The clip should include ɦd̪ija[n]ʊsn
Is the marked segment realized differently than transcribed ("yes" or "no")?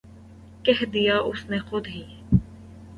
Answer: yes